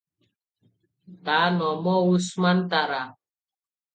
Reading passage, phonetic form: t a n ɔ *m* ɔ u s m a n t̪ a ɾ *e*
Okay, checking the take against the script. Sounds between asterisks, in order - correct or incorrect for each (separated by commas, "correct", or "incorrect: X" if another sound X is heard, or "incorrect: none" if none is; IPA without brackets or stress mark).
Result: correct, incorrect: a